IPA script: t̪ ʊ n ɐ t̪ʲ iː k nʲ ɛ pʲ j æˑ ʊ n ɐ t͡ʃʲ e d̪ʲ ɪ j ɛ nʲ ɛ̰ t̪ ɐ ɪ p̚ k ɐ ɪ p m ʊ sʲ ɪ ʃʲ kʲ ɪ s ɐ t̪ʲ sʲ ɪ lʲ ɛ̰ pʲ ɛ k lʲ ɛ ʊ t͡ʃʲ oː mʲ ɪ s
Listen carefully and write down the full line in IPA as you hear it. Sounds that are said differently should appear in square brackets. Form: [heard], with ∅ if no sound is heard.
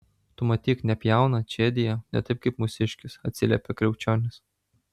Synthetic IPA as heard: t̪ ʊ [m] ɐ t̪ʲ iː k nʲ ɛ pʲ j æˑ ʊ n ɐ t͡ʃʲ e d̪ʲ ɪ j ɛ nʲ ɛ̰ t̪ ɐ ɪ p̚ k ɐ ɪ p m ʊ sʲ ɪ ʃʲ kʲ ɪ s ɐ t̪ʲ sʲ ɪ lʲ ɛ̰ pʲ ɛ k [ɾʲ] ɛ ʊ t͡ʃʲ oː [nʲ] ɪ s